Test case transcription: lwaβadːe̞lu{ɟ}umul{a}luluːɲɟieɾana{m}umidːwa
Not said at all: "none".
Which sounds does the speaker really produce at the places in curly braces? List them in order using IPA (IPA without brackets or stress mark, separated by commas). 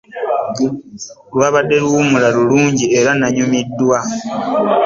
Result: none, a, ɲ